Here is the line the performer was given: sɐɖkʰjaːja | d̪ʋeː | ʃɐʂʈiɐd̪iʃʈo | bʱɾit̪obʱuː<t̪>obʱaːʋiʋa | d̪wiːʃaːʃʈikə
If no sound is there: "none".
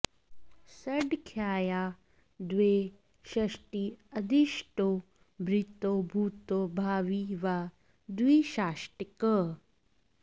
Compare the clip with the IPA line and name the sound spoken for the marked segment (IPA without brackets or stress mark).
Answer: t̪